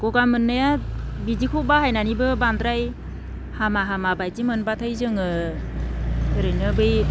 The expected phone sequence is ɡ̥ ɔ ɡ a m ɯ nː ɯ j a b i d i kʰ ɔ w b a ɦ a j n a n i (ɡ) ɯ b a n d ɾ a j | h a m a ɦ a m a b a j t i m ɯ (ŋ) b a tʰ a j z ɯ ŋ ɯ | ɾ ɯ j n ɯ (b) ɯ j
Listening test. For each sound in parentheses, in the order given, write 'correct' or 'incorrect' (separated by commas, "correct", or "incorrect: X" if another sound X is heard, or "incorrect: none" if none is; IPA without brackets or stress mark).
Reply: incorrect: b, incorrect: n, correct